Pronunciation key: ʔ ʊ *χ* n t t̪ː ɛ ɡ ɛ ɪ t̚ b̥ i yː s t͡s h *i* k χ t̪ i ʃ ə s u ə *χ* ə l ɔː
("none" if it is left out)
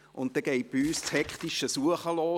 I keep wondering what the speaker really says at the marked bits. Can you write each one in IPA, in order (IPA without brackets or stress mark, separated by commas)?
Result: none, ɛ, χ